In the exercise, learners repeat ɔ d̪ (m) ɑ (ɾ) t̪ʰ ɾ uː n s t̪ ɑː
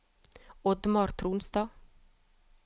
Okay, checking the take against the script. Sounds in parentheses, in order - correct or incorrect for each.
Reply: correct, correct

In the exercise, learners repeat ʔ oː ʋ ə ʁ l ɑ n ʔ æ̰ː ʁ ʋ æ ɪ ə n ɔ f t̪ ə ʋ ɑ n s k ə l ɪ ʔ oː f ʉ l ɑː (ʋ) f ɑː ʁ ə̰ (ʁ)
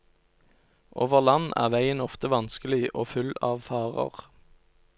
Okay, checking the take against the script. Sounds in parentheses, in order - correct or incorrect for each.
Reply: correct, correct

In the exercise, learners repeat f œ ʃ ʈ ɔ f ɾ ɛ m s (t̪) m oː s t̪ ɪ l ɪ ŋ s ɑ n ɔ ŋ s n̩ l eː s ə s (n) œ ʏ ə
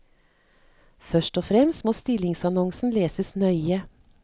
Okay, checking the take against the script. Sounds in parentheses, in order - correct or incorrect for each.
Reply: correct, correct

